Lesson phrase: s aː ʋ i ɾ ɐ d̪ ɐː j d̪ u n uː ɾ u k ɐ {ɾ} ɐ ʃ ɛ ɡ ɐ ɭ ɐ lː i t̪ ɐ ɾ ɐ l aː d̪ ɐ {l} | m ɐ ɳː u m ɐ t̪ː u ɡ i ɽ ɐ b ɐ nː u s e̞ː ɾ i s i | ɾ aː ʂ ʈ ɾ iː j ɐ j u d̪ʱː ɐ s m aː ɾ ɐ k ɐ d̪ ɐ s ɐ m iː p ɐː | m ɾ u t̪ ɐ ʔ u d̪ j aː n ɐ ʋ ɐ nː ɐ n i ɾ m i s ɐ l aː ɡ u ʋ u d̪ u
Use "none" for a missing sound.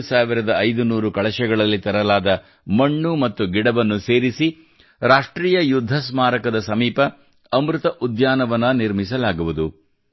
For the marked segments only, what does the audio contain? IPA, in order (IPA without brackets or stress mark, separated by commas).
ɭ, none